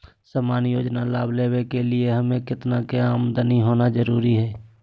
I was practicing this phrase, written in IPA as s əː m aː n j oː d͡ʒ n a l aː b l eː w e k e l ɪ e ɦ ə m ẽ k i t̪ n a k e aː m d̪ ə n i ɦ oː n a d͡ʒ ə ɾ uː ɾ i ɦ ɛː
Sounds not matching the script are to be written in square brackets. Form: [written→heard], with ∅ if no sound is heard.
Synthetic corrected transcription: s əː m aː n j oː d͡ʒ n a l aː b l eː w e k e l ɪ e ɦ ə m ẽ k [i→ɪ] t̪ n a k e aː m d̪ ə n i ɦ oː n a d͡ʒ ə ɾ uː ɾ i ɦ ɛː